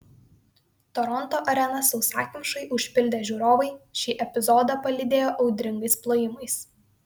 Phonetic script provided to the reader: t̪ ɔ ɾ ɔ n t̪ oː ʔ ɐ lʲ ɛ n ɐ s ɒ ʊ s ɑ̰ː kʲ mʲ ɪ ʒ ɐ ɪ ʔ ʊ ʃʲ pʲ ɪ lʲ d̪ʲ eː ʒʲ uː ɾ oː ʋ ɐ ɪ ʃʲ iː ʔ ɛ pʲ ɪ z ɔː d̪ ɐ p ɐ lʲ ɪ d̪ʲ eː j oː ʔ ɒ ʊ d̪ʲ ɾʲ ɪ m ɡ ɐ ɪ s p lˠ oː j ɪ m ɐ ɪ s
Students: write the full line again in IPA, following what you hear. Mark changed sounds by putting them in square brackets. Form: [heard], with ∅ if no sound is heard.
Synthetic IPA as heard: t̪ ɔ ɾ ɔ n t̪ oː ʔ ɐ [ɾʲ] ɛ n ɐ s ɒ ʊ s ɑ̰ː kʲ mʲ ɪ [ʃ] ɐ ɪ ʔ ʊ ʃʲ pʲ ɪ lʲ d̪ʲ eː ʒʲ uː ɾ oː ʋ ɐ ɪ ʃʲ iː ʔ ɛ pʲ ɪ z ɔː d̪ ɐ p ɐ lʲ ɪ d̪ʲ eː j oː ʔ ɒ ʊ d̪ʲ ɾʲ ɪ [ŋ] ɡ ɐ ɪ s p lˠ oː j ɪ m ɐ ɪ s